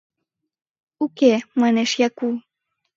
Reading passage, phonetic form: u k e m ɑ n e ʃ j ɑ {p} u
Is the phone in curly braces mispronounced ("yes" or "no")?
yes